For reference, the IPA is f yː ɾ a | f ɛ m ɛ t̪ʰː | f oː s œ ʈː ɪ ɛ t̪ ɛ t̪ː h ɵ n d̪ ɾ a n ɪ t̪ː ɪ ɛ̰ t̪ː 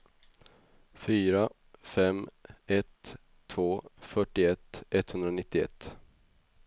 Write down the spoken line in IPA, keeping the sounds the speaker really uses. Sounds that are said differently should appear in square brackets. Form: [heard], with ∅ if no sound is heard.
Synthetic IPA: f yː ɾ a | f ɛ m ɛ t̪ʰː | [v] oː [f] œ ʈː ɪ ɛ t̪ ɛ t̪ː h ɵ n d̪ ɾ a n ɪ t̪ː ɪ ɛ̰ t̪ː